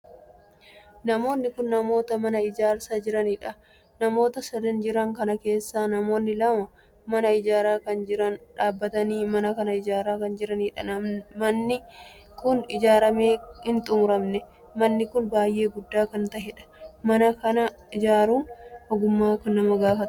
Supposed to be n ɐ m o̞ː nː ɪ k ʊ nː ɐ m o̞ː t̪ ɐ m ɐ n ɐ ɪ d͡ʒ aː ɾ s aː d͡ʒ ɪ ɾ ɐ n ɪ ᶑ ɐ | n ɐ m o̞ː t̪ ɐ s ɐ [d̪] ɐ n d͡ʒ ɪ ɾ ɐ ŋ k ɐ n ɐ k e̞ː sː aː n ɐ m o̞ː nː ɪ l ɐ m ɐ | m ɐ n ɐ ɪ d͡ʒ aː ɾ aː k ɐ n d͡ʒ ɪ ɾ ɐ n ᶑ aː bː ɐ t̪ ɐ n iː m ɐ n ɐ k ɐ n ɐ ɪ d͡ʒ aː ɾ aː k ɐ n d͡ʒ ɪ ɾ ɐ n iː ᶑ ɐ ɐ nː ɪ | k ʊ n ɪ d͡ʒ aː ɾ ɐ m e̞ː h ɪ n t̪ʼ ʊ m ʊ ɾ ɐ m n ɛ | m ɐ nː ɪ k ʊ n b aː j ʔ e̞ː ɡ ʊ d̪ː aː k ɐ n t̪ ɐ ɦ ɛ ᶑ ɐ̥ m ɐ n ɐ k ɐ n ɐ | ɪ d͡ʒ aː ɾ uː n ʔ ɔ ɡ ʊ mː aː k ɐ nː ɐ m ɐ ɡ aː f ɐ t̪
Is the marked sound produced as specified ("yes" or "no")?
yes